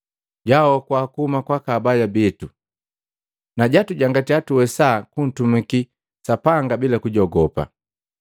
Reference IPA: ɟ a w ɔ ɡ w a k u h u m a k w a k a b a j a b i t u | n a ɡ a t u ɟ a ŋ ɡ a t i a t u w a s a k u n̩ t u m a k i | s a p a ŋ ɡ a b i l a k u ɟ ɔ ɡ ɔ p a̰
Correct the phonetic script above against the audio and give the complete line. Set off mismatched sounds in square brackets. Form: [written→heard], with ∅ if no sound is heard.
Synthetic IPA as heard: ɟ a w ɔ [ɡ→k] w a k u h u m a k w a k a b a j a b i t u | n a [ɡ→ɟ] a t u ɟ a ŋ ɡ a t i a t u w [a→ɛ] s a k u n̩ t u m [a→i] k i | s a p a ŋ ɡ a b i l a k u ɟ ɔ ɡ ɔ p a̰